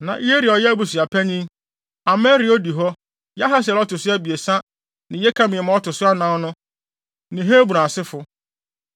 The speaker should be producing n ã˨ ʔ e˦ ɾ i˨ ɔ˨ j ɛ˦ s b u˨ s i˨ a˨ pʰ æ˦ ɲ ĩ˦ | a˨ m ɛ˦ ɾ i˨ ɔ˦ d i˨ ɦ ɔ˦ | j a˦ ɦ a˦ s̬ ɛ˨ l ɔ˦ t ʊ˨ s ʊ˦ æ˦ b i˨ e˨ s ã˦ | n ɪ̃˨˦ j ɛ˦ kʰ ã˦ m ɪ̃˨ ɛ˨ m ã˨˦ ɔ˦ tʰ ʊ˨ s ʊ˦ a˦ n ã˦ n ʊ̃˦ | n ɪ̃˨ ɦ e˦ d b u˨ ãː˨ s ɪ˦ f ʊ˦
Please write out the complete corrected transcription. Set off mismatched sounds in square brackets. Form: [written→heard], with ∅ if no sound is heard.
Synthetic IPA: n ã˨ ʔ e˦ ɾ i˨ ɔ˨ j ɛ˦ [s→∅] b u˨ s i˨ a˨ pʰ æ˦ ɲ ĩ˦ | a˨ m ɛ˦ ɾ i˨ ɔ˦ d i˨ ɦ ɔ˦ | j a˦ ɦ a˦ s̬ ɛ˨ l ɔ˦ t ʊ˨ s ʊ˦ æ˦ b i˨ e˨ s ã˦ | n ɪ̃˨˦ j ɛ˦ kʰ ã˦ m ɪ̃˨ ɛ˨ m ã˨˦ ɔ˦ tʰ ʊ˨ s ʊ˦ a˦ n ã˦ n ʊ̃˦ | n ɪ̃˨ ɦ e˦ [d→∅] b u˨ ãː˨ s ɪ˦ f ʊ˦